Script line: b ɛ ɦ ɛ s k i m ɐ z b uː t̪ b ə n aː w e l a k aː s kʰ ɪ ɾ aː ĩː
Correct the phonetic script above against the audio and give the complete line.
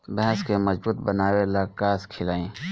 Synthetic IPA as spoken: b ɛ ɦ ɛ s k e m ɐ z b uː t̪ b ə n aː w e l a k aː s kʰ ɪ l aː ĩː